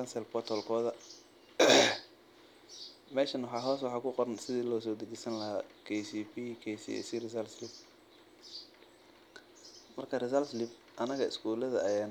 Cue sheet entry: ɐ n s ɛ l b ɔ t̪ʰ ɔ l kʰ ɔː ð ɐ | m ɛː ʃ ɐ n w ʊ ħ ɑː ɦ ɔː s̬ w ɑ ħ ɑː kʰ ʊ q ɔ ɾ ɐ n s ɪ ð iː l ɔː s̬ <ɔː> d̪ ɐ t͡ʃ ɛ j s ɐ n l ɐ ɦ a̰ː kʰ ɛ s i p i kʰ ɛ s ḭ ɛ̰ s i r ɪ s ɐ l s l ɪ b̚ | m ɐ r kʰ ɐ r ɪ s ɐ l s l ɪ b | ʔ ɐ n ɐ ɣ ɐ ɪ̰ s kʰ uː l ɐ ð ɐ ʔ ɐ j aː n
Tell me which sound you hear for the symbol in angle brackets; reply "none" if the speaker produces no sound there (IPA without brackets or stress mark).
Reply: ɔː